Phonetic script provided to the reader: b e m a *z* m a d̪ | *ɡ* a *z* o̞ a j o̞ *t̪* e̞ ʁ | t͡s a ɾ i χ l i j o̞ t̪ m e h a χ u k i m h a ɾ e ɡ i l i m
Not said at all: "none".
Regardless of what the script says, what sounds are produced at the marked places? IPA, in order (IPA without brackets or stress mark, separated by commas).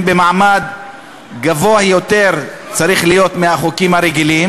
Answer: ʕ, ɡ, v, t̪